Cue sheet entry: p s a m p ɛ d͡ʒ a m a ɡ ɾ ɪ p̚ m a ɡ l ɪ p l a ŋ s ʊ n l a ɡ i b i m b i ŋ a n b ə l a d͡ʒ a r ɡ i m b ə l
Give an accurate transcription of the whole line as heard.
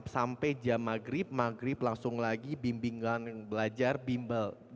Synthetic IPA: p s a m p ɛ d͡ʒ a m a ɡ ɾ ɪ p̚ m a ɡ ɾ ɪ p l a ŋ s ʊ ŋ l a ɡ i b i m b i ŋ a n b ə l a d͡ʒ a r b i m b ə l